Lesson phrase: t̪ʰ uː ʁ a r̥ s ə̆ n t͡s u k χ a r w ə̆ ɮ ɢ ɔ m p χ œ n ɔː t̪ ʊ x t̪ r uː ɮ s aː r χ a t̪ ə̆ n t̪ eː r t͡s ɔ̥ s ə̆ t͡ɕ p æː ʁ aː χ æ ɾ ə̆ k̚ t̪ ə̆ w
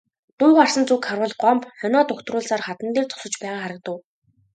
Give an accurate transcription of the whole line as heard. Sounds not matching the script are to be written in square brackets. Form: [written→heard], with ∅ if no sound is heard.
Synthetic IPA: [t̪ʰ→t̪] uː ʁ a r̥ s ə̆ n t͡s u k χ a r w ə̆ ɮ ɢ ɔ m p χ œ n ɔː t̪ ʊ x t̪ r [uː→ʊː] ɮ s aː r χ a t̪ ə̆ n t̪ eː r t͡s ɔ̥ s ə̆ t͡ɕ p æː ʁ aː χ [æ→a] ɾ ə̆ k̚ t̪ ə̆ w